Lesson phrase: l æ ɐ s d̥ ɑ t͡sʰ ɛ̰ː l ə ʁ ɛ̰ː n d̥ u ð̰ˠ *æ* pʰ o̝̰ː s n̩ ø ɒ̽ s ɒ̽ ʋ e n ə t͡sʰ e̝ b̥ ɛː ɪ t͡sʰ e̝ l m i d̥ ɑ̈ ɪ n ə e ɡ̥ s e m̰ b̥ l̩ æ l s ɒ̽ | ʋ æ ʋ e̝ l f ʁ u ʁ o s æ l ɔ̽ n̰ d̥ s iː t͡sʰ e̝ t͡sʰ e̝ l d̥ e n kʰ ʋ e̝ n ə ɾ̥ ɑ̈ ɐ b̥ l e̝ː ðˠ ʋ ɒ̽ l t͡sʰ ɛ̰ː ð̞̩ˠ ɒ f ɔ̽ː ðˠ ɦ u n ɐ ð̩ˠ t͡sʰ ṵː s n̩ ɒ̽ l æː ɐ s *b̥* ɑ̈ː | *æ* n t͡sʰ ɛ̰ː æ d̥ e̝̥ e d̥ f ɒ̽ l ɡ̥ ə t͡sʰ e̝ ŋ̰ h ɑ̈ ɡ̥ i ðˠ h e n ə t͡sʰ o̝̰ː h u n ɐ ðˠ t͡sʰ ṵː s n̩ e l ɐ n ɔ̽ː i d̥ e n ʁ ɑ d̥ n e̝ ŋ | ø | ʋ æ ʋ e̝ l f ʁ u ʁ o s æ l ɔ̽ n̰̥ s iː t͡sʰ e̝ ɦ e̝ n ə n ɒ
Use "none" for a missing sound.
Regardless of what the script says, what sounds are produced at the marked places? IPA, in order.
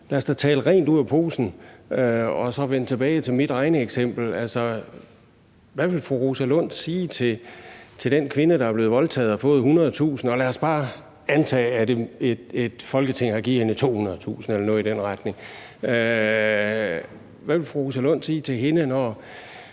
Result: æ, b̥, æ

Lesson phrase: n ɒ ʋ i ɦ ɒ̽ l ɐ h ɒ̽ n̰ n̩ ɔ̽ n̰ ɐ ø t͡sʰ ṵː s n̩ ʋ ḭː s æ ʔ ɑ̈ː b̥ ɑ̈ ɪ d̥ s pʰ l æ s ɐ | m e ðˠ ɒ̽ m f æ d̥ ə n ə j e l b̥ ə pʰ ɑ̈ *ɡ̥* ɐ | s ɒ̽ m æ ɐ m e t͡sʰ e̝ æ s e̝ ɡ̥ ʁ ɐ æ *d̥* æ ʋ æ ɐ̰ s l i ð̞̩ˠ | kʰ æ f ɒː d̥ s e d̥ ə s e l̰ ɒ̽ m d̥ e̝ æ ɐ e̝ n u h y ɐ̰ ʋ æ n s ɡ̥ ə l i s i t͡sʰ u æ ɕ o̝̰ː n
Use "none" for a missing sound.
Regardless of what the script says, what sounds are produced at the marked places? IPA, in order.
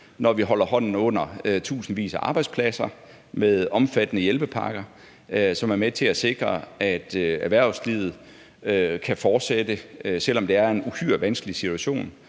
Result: ɡ̥, d̥

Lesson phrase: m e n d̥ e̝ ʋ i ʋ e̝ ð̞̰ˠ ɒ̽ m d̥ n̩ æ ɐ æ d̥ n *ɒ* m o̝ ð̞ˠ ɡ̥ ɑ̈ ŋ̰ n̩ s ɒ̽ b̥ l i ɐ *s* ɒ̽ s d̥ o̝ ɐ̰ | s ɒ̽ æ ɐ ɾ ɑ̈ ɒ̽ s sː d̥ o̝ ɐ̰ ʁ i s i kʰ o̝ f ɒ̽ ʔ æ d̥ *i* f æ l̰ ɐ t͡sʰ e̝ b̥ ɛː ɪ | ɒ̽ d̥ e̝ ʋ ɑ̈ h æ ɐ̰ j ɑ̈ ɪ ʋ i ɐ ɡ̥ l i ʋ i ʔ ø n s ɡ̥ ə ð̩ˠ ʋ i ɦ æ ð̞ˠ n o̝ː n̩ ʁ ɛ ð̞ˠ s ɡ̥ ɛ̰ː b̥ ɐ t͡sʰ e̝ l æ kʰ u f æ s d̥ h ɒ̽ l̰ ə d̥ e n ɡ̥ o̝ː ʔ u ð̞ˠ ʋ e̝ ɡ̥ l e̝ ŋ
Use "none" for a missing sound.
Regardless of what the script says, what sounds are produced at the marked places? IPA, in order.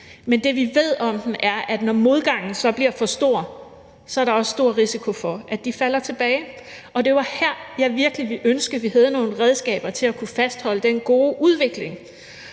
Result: ɒ, f, i

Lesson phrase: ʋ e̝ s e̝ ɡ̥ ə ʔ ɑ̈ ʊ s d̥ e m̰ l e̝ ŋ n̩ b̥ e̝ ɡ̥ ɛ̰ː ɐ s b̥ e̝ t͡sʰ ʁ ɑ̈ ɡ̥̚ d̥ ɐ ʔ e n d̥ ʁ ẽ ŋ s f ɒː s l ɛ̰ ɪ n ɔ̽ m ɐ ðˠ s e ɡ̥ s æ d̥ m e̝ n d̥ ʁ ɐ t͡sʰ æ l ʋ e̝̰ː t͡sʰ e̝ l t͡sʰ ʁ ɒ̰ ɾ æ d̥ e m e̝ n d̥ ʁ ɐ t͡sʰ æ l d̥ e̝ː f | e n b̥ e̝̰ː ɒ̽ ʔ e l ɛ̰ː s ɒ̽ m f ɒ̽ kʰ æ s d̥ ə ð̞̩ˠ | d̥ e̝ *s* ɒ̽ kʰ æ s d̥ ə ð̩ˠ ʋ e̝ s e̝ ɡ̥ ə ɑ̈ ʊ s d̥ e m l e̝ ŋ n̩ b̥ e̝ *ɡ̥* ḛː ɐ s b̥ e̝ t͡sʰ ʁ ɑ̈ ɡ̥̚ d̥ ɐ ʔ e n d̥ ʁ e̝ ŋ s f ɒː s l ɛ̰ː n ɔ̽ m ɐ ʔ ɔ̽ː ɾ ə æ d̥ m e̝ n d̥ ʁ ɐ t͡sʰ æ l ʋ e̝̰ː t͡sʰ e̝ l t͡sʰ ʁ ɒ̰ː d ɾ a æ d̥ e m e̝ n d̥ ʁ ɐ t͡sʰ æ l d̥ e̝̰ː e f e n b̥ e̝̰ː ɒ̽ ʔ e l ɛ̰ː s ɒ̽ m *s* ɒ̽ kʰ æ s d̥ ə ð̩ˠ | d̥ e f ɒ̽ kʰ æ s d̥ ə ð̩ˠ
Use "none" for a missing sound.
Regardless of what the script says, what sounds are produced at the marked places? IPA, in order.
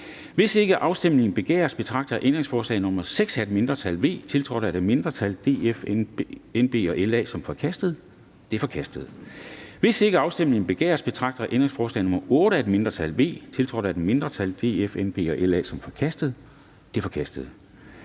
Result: f, ɡ̥, f

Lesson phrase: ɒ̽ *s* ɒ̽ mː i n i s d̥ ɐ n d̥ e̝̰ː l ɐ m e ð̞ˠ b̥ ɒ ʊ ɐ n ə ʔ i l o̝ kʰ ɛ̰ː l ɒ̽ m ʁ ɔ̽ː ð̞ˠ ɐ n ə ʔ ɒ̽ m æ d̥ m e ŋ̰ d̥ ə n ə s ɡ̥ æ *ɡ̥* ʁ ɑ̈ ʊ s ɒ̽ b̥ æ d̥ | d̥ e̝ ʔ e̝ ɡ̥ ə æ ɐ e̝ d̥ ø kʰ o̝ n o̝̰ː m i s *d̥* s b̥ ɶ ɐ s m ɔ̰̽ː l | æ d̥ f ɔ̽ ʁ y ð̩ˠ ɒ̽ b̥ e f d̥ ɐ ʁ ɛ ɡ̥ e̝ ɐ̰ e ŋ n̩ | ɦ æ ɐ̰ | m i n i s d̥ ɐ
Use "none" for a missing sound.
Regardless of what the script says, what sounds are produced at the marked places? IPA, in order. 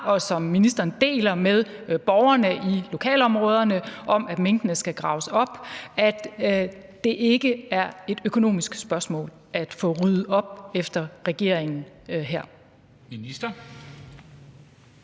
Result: s, ɡ̥, ɡ̥

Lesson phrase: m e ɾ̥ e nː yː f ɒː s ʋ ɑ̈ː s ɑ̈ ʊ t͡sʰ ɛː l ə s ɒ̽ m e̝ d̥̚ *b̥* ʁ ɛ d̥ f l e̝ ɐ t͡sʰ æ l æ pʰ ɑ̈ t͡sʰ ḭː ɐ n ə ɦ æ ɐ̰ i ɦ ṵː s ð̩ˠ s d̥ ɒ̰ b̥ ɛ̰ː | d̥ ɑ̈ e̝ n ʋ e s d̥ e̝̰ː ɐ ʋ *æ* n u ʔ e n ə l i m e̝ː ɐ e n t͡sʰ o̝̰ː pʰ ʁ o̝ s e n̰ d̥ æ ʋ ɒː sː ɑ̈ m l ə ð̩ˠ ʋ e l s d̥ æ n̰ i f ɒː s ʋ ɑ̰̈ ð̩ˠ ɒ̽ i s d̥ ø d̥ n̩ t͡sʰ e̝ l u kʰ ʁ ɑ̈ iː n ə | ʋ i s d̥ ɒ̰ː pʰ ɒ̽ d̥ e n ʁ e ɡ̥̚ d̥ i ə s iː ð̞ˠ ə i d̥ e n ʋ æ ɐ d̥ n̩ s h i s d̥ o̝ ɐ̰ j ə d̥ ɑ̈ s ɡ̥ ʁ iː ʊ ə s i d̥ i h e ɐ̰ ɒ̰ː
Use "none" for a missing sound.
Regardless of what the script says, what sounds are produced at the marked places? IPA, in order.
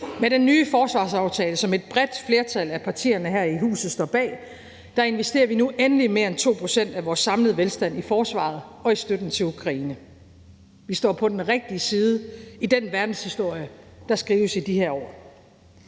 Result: b̥, i

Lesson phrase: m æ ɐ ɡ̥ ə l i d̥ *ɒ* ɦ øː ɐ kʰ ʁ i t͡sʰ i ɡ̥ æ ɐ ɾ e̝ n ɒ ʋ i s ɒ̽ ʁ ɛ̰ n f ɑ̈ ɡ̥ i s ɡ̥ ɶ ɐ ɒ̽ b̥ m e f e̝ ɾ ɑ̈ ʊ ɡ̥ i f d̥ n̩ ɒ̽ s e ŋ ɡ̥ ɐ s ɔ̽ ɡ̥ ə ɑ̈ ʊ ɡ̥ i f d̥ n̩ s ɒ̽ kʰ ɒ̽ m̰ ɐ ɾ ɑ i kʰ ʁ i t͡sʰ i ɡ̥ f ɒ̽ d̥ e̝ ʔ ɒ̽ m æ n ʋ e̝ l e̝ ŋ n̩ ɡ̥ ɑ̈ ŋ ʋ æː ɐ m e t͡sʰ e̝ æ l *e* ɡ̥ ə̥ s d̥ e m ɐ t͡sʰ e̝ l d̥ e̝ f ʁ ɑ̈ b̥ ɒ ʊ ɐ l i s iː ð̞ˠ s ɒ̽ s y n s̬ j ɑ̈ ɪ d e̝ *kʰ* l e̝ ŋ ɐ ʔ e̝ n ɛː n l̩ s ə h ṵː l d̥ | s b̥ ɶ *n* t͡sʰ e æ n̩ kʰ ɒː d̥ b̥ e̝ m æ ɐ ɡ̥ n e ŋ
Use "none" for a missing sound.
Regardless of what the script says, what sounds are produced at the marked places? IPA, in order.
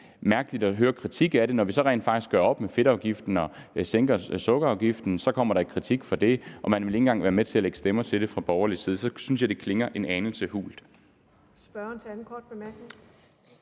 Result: ɒ, e, kʰ, n

